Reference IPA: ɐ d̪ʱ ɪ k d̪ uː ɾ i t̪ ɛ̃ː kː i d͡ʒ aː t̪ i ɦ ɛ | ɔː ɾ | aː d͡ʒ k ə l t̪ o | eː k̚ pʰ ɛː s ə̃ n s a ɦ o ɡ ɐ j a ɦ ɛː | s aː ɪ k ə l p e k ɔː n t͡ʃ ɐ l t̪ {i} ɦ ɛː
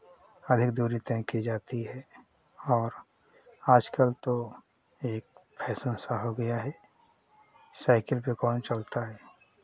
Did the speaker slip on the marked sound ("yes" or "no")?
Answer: yes